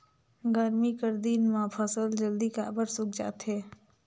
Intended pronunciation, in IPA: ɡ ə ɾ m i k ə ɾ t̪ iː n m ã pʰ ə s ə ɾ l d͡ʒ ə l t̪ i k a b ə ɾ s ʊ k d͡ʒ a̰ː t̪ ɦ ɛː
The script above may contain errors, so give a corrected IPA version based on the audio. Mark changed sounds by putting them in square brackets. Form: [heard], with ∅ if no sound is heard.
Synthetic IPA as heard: ɡ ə ɾ m i k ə ɾ [d̪] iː n m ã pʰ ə s ə [∅] l d͡ʒ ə l [d̪] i k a b ə ɾ s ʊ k d͡ʒ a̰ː t̪ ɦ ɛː